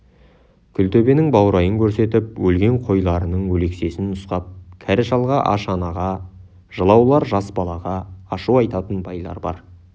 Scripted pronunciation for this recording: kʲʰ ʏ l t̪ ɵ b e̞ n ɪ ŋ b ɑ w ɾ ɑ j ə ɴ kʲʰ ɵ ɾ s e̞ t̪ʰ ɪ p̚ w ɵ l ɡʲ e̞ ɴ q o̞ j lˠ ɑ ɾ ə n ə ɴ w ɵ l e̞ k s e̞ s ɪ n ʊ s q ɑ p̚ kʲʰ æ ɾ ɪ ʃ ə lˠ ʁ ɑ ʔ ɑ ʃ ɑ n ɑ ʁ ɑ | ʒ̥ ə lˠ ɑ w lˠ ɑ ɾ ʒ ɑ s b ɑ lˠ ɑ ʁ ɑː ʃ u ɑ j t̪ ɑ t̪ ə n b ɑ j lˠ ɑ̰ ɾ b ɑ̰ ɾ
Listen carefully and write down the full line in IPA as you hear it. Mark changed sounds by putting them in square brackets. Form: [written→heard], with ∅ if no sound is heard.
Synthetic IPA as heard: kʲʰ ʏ l t̪ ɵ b e̞ n ɪ ŋ b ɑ w ɾ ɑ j ə [ɴ→ŋ] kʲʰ ɵ ɾ s e̞ [t̪ʰ→t̪] ɪ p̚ w ɵ l ɡʲ e̞ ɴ [q→qʰ] o̞ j lˠ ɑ ɾ ə n ə ɴ w ɵ l e̞ k s e̞ s ɪ n ʊ s q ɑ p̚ kʲʰ æ ɾ ɪ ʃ [ə→ɑ] lˠ ʁ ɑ ʔ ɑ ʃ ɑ n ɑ ʁ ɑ | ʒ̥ ə lˠ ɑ w lˠ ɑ ɾ ʒ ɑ s b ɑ lˠ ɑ ʁ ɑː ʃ u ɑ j t̪ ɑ t̪ ə n b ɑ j lˠ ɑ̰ ɾ b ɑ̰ ɾ

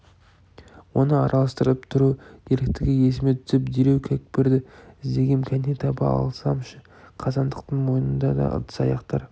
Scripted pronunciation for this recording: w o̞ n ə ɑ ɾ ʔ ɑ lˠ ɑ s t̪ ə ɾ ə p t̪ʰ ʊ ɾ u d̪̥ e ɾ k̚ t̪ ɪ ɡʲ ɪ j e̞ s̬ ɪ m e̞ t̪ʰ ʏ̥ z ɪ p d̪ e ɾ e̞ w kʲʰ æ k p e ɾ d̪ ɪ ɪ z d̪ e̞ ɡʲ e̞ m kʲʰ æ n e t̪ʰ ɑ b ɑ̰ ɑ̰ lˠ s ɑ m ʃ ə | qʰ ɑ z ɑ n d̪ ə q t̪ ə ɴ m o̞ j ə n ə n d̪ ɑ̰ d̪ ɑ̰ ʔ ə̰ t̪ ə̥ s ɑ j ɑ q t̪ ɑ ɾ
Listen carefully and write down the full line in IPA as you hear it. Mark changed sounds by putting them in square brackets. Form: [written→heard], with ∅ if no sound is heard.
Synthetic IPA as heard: w o̞ n ə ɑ ɾ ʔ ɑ lˠ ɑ s t̪ ə ɾ ə p t̪ʰ ʊ ɾ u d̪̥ e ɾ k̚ t̪ ɪ ɡʲ ɪ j e̞ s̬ ɪ m e̞ t̪ʰ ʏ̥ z ɪ p d̪ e ɾ e̞ w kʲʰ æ k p e ɾ d̪ ɪ ɪ z d̪ e̞ ɡʲ e̞ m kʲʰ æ n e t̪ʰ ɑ b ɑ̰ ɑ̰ lˠ s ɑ m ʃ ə | qʰ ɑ z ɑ n d̪ ə q t̪ ə ɴ m o̞ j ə n ə n d̪ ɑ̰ d̪ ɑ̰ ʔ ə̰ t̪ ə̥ s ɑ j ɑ q t̪ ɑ ɾ

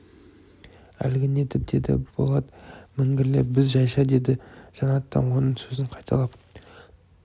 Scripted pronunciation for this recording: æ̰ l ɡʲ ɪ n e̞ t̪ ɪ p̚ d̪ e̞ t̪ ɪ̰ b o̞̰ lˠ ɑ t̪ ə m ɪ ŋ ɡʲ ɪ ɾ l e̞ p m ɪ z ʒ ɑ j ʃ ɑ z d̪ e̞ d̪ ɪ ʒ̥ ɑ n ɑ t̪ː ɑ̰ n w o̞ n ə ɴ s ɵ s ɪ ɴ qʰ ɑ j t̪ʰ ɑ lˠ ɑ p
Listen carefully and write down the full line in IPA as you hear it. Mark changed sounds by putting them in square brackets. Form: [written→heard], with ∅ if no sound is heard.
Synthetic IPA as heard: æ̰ l ɡʲ ɪ n e̞ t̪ ɪ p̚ d̪ e̞ [t̪→d̪] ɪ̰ b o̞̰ lˠ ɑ [t̪→d̪] ə m ɪ ŋ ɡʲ ɪ ɾ l e̞ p [m→b] ɪ z ʒ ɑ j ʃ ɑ [z→∅] d̪ e̞ d̪ ɪ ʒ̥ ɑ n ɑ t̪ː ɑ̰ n w o̞ n ə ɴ s ɵ [s→z] ɪ ɴ qʰ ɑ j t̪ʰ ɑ lˠ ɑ p

